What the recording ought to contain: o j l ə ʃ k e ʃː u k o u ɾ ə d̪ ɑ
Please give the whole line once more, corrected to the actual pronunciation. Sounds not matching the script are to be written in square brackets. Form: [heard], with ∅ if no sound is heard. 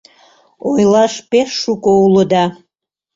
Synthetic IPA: o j l [ɑ] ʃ [p] e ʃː u k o u [l] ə d̪ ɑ